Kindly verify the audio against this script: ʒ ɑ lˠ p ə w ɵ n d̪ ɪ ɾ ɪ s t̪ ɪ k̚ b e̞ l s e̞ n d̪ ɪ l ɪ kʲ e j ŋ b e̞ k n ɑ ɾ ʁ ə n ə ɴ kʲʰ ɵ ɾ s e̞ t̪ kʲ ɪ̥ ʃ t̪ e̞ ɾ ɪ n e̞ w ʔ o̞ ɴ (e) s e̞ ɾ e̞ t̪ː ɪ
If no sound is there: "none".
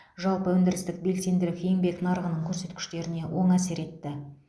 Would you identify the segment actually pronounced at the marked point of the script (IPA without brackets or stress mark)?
æ